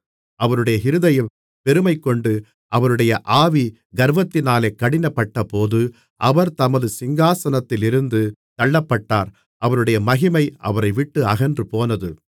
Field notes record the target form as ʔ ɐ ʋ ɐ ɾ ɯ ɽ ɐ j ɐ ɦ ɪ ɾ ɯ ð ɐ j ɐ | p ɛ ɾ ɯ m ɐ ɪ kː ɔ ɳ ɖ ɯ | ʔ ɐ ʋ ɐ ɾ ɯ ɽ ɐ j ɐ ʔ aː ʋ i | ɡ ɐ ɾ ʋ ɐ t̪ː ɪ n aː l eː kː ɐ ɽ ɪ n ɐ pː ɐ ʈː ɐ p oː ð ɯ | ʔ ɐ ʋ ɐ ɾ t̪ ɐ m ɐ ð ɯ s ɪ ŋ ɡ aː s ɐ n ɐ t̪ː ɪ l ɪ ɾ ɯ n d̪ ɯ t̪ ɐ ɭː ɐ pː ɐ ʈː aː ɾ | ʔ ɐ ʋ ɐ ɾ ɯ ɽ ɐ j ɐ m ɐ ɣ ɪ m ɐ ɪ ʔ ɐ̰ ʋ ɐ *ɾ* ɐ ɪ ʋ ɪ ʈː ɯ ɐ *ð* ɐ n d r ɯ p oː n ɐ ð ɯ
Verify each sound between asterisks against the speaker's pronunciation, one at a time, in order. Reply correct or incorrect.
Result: correct, incorrect

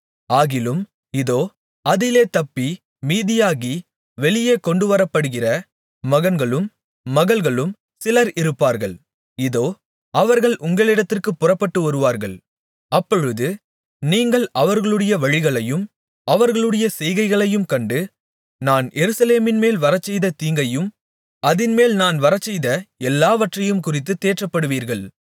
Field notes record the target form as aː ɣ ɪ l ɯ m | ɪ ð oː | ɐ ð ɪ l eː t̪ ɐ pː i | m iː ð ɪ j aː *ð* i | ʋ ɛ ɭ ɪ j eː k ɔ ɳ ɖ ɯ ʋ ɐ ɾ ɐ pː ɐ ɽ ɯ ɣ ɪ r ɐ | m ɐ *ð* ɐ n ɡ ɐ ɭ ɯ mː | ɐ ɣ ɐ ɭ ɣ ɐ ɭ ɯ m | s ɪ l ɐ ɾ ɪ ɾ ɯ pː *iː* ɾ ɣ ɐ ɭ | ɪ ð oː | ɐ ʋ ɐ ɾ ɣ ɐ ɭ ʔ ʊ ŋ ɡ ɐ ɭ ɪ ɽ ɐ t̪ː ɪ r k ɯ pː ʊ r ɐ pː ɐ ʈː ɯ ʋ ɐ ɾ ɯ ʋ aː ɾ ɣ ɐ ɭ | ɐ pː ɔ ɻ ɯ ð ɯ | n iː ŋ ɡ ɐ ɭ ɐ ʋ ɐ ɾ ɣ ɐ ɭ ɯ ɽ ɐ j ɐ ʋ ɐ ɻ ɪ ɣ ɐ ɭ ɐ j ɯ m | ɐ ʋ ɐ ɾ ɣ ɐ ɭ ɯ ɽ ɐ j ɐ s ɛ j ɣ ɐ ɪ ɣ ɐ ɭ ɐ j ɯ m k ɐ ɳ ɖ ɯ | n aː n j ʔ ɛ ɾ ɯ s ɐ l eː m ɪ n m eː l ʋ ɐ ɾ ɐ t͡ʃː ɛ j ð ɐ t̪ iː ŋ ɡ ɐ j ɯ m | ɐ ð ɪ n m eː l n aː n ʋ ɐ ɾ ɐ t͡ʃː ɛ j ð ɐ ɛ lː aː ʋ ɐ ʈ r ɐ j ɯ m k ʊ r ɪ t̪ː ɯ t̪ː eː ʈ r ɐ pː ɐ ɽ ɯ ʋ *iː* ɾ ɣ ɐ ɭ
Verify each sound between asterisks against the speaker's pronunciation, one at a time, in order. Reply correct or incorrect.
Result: incorrect, incorrect, incorrect, correct

